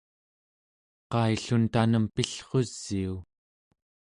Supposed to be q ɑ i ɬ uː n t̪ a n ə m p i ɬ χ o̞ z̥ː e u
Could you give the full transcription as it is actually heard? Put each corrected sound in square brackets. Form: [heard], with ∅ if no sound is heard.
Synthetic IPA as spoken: q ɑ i ɬ [u] n t̪ a n ə m p i ɬ χ o̞ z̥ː [i] u